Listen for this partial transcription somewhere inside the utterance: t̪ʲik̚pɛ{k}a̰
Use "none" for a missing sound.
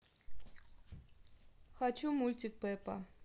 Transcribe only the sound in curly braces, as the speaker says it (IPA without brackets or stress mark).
p